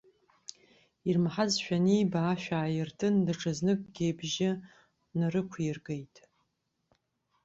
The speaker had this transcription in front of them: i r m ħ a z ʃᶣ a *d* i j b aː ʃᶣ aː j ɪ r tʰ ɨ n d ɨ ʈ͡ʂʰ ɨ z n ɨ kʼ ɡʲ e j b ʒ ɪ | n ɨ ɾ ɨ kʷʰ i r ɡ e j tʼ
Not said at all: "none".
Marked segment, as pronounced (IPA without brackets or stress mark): n